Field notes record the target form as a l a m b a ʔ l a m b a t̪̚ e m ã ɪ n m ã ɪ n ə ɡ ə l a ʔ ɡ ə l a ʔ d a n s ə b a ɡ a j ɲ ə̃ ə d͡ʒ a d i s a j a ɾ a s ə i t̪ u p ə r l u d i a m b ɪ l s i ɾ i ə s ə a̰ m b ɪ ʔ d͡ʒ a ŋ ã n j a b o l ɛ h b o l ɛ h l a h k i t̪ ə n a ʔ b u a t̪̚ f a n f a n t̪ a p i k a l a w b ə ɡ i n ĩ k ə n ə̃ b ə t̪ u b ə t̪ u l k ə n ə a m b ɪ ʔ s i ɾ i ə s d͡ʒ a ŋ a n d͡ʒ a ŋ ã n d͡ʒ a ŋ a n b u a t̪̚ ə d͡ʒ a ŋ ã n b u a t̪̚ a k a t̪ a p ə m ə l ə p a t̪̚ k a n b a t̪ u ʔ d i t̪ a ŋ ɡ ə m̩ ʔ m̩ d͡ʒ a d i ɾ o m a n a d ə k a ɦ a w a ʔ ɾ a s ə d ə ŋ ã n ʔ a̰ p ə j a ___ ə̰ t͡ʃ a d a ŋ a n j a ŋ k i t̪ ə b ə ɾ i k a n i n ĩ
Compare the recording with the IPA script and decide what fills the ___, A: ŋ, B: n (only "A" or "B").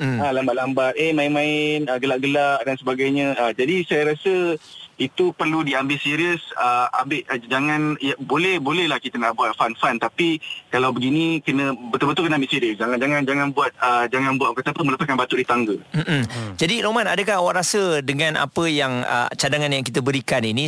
A